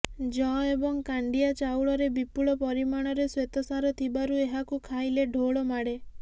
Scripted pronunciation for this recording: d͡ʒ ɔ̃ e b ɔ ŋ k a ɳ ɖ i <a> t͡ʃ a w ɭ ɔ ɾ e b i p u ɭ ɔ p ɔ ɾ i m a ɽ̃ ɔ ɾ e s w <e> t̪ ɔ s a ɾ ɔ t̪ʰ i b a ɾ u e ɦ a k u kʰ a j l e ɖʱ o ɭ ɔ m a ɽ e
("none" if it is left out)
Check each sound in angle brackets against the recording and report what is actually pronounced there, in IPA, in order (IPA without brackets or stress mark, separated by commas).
a, e